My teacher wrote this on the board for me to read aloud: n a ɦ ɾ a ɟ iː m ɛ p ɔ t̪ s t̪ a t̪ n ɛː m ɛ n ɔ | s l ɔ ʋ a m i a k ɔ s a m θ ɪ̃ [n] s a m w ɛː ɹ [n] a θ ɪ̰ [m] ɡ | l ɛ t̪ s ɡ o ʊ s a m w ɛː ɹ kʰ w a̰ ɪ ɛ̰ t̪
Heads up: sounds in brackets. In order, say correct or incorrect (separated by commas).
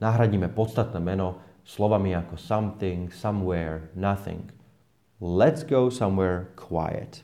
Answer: incorrect, correct, incorrect